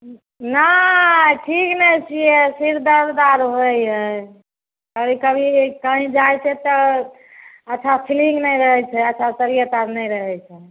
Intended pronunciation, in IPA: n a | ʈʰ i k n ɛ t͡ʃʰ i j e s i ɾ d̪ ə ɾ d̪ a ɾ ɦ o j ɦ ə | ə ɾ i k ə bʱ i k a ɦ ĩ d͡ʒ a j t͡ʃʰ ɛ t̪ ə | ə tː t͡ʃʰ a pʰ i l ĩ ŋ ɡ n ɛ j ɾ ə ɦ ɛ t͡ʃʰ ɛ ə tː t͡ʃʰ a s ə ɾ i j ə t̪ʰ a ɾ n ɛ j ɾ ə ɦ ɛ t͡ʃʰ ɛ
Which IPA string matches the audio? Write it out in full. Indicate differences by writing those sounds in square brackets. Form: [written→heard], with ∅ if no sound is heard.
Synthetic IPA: n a | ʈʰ i k n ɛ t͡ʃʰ i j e s i ɾ d̪ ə ɾ d̪ a ɾ ɦ o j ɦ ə | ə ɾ i k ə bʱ i k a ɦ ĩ d͡ʒ a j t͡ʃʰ ɛ t̪ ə | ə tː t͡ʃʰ a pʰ i l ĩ ŋ ɡ n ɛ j ɾ ə ɦ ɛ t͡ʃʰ ɛ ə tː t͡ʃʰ a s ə ɾ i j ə [t̪ʰ→t̪] a ɾ n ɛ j ɾ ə ɦ ɛ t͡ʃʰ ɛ